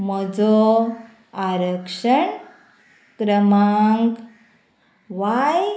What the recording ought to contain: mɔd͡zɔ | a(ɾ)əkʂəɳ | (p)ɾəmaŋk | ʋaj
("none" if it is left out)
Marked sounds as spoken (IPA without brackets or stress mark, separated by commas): ɾ, k